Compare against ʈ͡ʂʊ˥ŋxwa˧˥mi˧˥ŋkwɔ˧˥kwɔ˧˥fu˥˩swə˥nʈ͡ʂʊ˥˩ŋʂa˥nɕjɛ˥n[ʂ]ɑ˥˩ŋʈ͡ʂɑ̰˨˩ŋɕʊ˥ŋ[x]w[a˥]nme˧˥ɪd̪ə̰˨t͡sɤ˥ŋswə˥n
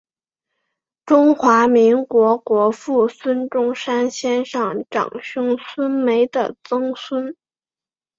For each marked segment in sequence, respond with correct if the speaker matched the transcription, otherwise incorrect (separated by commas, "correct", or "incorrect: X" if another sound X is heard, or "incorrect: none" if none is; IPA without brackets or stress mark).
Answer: correct, incorrect: s, incorrect: ə˥